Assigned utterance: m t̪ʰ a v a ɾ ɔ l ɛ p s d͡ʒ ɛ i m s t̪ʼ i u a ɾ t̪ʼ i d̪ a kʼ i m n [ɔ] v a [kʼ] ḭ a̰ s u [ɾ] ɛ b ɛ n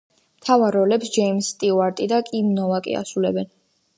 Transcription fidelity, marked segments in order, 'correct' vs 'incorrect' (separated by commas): correct, correct, incorrect